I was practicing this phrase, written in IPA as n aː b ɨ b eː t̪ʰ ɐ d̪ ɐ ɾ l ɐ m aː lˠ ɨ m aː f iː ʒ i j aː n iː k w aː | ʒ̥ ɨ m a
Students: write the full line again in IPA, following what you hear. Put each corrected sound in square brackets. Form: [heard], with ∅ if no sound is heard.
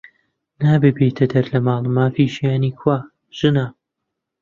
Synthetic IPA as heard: n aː b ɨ b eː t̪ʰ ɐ d̪ ɐ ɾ l ɐ m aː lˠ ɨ m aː f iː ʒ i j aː n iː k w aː | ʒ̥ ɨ [n] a